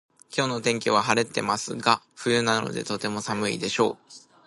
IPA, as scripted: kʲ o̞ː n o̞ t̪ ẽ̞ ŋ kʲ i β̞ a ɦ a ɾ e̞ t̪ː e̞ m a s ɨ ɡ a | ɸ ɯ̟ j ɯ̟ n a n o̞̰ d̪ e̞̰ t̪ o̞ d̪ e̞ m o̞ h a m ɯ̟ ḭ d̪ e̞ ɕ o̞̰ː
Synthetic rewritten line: kʲ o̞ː n o̞ t̪ ẽ̞ ŋ kʲ i β̞ a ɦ a ɾ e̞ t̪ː e̞ m a s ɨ ɡ a | ɸ ɯ̟ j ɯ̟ n a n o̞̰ d̪ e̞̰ t̪ o̞ t̪ e̞ m o̞ s a m ɯ̟ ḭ d̪ e̞ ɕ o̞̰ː